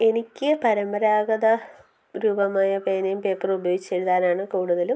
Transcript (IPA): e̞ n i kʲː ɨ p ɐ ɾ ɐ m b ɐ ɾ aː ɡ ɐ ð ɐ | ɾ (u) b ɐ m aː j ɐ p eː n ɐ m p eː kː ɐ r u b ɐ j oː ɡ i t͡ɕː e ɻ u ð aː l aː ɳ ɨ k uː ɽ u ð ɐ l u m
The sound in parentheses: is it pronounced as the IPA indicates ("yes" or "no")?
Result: no